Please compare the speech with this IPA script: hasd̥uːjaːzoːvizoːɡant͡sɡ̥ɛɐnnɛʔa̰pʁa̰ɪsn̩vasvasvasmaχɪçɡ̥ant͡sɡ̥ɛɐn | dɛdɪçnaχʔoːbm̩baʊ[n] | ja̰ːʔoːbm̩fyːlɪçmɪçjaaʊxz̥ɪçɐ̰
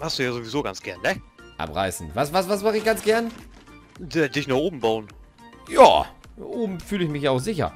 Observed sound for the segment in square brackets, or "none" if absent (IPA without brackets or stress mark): n